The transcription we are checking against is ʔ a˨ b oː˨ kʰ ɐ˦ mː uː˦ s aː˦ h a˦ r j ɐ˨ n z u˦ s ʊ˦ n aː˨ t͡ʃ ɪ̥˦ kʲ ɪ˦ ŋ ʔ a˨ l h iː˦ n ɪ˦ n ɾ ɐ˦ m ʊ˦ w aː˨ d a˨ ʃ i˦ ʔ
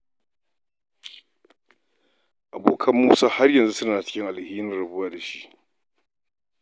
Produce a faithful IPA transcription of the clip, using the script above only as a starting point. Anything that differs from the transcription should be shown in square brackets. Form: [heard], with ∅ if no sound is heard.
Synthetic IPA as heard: ʔ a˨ b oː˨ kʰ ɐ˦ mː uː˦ s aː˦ h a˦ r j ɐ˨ n z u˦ s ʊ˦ n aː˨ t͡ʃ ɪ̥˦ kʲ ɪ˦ ŋ ʔ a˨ l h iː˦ n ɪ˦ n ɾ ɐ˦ [b] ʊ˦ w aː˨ d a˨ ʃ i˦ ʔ